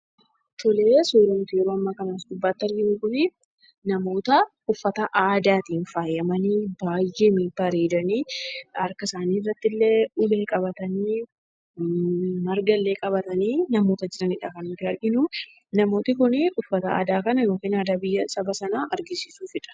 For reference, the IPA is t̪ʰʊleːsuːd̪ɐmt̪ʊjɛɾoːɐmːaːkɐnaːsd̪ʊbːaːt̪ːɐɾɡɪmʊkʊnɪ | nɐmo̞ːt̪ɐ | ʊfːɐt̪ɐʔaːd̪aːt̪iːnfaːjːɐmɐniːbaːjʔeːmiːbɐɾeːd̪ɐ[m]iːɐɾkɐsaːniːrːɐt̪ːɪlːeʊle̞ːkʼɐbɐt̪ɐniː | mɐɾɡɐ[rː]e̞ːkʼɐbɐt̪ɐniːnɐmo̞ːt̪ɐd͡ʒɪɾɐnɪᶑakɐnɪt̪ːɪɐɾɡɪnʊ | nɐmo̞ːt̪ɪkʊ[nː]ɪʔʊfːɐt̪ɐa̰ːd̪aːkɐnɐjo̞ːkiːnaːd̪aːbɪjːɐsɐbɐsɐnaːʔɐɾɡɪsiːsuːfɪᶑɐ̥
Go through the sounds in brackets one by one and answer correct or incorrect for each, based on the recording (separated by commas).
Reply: incorrect, incorrect, incorrect